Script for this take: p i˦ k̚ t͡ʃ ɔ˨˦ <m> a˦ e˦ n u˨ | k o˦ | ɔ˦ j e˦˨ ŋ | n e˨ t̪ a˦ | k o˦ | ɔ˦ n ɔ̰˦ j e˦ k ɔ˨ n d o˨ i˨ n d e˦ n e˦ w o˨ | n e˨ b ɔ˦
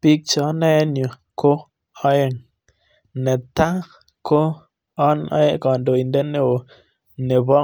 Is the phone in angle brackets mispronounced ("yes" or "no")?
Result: yes